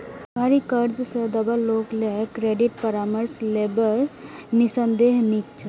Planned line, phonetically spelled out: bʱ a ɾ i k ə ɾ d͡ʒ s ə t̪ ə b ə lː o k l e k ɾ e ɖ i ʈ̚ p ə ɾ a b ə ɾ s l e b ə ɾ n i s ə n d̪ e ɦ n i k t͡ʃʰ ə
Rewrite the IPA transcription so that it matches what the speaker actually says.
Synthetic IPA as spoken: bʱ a ɾ i k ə ɾ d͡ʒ s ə d̪ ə b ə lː o k l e k ɾ e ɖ i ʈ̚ p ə ɾ a m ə ɾ s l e b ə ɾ n i s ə n d̪ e ɦ n i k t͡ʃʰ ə